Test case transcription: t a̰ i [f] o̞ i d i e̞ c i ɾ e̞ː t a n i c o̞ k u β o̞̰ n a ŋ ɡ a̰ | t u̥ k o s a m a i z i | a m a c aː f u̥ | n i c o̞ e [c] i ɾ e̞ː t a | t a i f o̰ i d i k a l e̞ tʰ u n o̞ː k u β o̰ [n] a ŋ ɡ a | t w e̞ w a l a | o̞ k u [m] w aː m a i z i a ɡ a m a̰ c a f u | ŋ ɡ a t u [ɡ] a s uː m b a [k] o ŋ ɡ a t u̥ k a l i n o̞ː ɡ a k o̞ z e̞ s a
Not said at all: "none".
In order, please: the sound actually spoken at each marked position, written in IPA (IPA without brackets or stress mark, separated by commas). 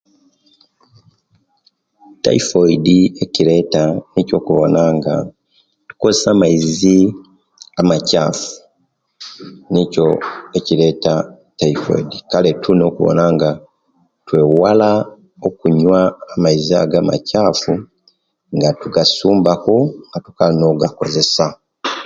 f, c, n, ɲ, ɡ, k